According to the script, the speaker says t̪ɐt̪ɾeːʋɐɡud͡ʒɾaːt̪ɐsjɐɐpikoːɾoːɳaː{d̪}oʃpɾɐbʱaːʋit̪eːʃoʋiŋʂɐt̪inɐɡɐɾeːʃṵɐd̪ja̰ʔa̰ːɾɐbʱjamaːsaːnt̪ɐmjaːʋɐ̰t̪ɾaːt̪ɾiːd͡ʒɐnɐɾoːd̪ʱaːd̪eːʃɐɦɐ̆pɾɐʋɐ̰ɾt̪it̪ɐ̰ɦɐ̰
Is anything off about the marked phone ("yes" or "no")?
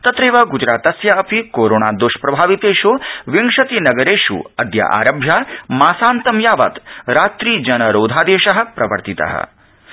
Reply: no